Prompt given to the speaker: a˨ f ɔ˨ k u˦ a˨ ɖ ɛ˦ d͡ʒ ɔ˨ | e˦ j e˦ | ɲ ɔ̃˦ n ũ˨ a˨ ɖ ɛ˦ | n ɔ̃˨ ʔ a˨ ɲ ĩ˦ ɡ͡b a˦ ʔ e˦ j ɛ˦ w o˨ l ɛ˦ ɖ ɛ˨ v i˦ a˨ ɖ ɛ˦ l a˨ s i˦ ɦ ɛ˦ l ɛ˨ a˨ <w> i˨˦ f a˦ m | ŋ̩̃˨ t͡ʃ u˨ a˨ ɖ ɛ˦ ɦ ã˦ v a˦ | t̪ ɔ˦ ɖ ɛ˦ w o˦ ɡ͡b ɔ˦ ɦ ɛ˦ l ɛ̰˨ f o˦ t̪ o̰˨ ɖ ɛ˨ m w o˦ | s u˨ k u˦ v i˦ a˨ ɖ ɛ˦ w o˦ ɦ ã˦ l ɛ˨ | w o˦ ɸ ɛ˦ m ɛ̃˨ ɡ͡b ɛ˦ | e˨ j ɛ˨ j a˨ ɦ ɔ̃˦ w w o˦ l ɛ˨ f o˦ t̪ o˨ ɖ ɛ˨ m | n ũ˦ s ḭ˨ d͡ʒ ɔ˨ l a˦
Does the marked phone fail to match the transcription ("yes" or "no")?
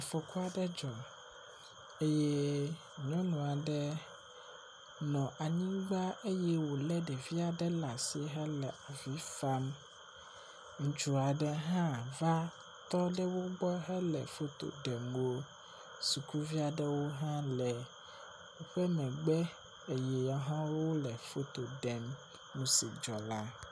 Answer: yes